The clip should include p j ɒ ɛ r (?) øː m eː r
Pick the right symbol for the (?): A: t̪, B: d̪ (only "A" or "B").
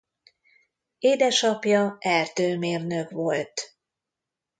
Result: A